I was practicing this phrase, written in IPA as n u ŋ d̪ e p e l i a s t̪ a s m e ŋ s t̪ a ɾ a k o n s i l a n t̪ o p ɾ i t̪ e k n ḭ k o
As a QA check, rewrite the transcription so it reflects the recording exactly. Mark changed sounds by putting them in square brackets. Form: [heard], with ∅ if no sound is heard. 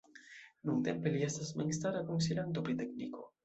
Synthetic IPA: n u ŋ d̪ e p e l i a s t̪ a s m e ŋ s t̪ a ɾ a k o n s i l a n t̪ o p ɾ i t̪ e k n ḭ k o